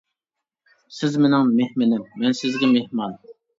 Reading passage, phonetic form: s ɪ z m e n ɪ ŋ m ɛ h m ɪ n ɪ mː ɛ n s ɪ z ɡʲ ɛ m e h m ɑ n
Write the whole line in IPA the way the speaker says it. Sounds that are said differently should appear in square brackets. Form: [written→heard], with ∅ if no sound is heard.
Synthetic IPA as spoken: s ɪ z m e n ɪ ŋ m [ɛ→e] h m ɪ n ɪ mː ɛ n s ɪ z ɡʲ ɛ m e h m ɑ n